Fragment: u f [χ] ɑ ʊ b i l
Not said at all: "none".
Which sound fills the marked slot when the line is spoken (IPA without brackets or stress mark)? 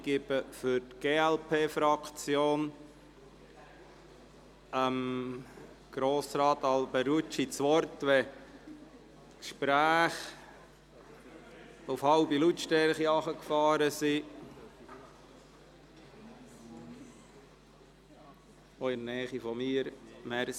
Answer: h